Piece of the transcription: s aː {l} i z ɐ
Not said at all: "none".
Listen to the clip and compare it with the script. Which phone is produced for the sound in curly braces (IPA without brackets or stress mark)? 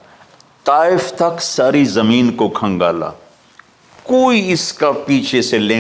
ɾ